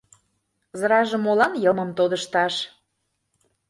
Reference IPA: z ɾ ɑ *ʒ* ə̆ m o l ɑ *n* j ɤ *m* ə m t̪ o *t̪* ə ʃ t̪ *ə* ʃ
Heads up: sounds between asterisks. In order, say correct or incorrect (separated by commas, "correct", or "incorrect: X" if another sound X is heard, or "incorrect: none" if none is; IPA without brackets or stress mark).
correct, correct, correct, incorrect: d̪, incorrect: ɑ